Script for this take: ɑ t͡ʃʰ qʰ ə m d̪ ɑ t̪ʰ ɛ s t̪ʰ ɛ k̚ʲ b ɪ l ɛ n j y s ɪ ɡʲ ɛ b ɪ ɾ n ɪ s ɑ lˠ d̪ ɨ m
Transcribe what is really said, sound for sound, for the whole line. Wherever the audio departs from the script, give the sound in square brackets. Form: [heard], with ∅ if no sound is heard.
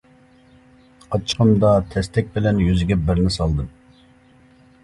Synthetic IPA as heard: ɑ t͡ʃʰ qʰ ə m d̪ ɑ t̪ʰ ɛ s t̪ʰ ɛ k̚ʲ b ɪ l ɛ n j y [z] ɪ ɡʲ ɛ b ɪ ɾ n ɪ s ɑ lˠ d̪ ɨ m